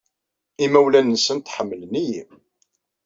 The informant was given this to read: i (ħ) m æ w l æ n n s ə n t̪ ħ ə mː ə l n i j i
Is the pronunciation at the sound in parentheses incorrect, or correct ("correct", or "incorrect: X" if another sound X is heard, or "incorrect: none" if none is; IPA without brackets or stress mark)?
incorrect: none